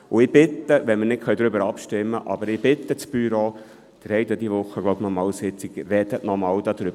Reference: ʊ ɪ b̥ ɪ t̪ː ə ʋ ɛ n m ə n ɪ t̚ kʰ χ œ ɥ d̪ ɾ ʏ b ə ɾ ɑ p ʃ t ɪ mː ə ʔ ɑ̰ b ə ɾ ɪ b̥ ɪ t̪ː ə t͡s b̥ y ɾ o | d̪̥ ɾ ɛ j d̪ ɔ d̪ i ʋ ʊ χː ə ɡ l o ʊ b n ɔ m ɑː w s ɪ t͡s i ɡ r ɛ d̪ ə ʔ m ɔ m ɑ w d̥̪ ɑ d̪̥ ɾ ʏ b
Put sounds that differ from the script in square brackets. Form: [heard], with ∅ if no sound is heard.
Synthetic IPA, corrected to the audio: ʊ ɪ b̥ ɪ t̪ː ə ʋ ɛ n m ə n ɪ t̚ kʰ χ œ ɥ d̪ ɾ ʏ b ə ɾ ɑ p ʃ t ɪ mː ə ʔ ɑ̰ b ə ɾ ɪ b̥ ɪ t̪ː ə t͡s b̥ y ɾ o | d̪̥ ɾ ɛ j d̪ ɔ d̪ i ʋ ʊ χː ə ɡ l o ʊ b n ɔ m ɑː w s ɪ t͡s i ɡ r ɛ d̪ ə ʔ [n] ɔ m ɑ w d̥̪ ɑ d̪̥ ɾ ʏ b